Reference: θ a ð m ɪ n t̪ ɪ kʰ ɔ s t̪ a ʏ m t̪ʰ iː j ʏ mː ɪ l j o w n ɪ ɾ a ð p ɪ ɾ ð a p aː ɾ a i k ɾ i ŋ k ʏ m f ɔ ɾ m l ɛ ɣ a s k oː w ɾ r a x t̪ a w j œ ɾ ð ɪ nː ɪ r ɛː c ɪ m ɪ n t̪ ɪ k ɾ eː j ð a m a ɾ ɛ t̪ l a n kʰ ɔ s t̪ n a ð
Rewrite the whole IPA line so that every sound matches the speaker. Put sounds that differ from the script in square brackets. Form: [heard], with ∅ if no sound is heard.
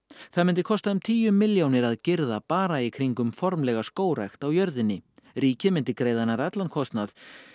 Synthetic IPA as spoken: θ a ð m ɪ n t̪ ɪ kʰ ɔ s t̪ a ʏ m t̪ʰ iː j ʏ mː ɪ l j o w n ɪ ɾ a ð [c] ɪ ɾ ð a p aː ɾ a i [kʰ] ɾ i ŋ k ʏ m f ɔ ɾ m l ɛ ɣ a s k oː w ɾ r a x t̪ a w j œ ɾ ð ɪ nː ɪ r [iː] c ɪ m ɪ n t̪ ɪ k ɾ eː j ð a [n] a ɾ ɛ t̪ l a n kʰ ɔ s t̪ n a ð